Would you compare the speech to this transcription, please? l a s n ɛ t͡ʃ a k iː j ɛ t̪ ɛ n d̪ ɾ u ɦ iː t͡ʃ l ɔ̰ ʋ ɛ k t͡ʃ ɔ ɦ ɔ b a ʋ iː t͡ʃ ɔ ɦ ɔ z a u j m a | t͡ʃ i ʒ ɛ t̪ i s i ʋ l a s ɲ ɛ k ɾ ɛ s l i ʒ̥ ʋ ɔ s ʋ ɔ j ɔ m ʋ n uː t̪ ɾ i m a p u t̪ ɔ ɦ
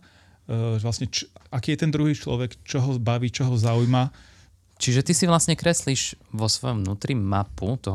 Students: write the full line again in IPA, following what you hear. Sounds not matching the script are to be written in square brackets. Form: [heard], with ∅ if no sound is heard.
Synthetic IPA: l a s [ɲ] ɛ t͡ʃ a k iː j ɛ t̪ ɛ n d̪ ɾ u ɦ iː t͡ʃ l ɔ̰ ʋ ɛ k t͡ʃ ɔ ɦ ɔ b a ʋ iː t͡ʃ ɔ ɦ ɔ z a u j m a | t͡ʃ i ʒ ɛ t̪ i s i ʋ l a s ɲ ɛ k ɾ ɛ s l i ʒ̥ ʋ ɔ s ʋ ɔ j ɔ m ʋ n uː t̪ ɾ i m a p u t̪ ɔ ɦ